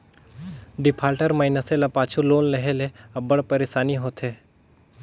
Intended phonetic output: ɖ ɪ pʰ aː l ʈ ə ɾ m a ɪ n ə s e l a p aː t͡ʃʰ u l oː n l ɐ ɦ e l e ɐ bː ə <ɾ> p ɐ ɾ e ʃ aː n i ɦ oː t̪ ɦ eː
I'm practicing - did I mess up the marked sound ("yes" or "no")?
yes